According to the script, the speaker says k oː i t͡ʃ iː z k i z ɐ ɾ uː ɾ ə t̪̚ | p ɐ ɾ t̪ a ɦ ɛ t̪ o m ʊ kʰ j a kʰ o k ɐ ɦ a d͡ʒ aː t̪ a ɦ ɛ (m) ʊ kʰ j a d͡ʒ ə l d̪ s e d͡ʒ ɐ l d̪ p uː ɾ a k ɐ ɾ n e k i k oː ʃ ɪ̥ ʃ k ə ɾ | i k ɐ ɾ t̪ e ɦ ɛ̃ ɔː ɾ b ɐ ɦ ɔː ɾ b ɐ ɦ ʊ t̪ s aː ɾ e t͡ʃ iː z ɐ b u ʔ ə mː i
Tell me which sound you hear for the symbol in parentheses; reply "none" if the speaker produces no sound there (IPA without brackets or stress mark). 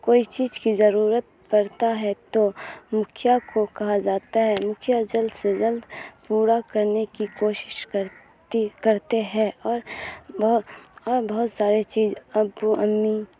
m